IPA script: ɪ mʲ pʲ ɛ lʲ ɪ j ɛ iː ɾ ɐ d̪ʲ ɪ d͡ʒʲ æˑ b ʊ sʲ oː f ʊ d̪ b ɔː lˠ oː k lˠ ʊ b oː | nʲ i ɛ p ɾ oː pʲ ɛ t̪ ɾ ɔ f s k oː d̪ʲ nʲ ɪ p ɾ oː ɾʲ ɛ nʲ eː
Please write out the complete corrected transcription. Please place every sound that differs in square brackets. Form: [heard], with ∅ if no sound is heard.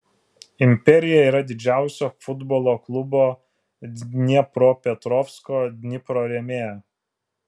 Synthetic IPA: ɪ mʲ pʲ ɛ [ɾʲ] ɪ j ɛ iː ɾ ɐ d̪ʲ ɪ d͡ʒʲ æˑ [∅] ʊ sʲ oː f ʊ d̪ b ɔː lˠ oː k lˠ ʊ b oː | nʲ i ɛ p ɾ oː pʲ ɛ t̪ ɾ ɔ f s k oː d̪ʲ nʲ ɪ p ɾ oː ɾʲ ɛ [mʲ] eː